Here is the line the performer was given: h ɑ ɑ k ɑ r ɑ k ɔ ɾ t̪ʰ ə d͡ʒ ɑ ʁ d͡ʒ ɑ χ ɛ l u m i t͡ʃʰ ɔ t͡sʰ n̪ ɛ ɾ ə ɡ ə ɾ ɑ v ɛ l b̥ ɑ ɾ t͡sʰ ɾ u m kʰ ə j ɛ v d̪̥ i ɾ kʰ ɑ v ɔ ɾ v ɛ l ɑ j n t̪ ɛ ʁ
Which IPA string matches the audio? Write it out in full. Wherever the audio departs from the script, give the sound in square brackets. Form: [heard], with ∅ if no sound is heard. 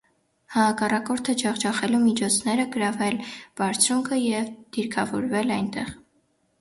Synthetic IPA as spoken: h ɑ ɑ k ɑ r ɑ k ɔ ɾ t̪ʰ ə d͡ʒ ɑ ʁ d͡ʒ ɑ χ ɛ l u m i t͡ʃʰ ɔ t͡sʰ n̪ ɛ ɾ ə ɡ ə ɾ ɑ v ɛ l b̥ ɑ ɾ t͡sʰ ɾ u [ŋ] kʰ ə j ɛ v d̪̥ i ɾ kʰ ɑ v ɔ ɾ v ɛ l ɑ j n t̪ ɛ ʁ